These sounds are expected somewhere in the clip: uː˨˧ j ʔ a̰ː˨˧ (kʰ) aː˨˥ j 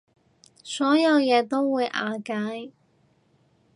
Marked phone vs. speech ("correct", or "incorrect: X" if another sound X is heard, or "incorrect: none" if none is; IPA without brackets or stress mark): incorrect: k